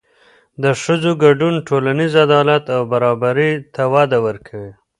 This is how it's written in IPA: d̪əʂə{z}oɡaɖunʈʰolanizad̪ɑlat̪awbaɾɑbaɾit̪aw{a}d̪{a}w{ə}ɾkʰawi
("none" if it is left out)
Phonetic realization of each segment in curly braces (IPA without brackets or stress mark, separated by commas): z, ɑ, a, ə